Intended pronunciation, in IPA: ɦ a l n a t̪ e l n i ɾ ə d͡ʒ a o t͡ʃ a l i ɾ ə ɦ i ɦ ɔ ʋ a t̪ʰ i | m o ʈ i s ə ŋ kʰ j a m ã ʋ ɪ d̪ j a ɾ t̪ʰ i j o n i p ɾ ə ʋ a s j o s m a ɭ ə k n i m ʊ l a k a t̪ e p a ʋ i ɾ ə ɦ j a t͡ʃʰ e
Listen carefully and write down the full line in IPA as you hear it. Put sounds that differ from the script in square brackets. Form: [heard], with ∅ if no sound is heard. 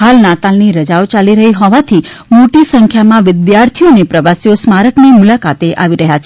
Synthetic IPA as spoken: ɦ a l n a t̪ [a] l n i ɾ ə d͡ʒ a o t͡ʃ a l i ɾ ə ɦ i ɦ ɔ ʋ a t̪ʰ i | m o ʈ i s ə ŋ kʰ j a m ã ʋ ɪ d̪ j a ɾ t̪ʰ i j o n [e] p ɾ ə ʋ a s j o s m a [ɾ] ə k n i m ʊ l a k a t̪ e [ʔ] a ʋ i ɾ ə ɦ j a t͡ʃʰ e